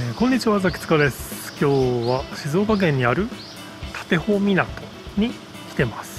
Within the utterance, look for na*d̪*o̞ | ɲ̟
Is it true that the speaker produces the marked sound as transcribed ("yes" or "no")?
no